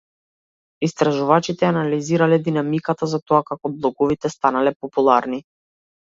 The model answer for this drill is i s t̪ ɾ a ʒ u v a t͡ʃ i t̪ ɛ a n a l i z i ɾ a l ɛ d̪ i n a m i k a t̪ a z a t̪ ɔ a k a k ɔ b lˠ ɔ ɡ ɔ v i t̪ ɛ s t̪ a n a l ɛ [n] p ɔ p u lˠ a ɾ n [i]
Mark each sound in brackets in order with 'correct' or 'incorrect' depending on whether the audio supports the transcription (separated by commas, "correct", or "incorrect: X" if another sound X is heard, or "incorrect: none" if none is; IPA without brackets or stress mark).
incorrect: none, correct